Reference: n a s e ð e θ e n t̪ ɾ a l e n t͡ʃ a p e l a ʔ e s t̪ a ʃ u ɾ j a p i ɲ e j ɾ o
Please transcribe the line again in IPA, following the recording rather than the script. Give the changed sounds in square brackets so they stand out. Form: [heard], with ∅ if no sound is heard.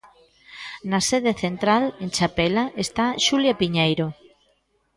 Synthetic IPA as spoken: n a s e ð e θ e n t̪ ɾ a l e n t͡ʃ a p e l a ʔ e s t̪ a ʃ u [l] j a p i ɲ e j ɾ o